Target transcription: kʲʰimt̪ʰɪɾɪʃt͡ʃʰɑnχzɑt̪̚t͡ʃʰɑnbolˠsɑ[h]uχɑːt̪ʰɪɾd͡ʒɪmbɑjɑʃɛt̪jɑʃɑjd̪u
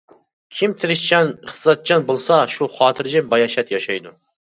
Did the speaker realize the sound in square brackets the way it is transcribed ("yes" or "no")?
no